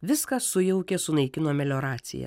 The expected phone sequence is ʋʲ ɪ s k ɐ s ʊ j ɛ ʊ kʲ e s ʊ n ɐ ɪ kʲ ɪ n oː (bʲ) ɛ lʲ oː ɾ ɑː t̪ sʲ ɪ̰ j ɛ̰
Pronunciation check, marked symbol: incorrect: mʲ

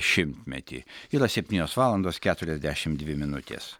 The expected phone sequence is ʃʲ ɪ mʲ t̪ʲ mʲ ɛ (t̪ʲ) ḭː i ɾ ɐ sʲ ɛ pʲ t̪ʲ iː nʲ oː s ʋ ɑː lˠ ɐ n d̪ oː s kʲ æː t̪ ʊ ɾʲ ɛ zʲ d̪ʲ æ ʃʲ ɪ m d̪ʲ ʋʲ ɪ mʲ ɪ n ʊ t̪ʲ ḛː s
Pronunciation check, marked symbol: correct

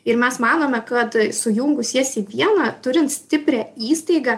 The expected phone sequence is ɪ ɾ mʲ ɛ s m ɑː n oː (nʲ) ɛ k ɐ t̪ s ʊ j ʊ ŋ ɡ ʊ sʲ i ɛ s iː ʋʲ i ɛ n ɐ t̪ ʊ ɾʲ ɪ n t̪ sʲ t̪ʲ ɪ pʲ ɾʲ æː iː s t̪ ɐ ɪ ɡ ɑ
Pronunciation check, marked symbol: incorrect: mʲ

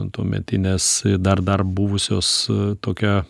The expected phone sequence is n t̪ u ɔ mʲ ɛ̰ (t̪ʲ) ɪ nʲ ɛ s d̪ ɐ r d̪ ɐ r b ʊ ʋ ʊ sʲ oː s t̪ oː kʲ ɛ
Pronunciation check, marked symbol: correct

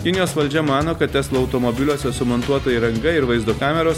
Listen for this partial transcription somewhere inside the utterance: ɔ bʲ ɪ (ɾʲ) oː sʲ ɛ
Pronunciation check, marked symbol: incorrect: lʲ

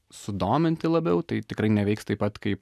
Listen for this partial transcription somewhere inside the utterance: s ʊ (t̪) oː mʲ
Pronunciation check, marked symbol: incorrect: d̪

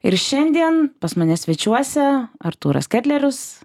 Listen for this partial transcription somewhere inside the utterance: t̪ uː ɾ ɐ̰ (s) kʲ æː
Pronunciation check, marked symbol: correct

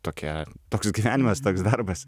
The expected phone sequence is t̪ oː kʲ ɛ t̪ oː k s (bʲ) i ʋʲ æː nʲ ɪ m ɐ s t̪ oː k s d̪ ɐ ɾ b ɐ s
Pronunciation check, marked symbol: incorrect: ɡʲ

